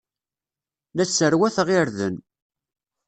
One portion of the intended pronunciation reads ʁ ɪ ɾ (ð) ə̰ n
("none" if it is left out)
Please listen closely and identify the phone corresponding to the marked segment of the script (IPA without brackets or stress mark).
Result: ð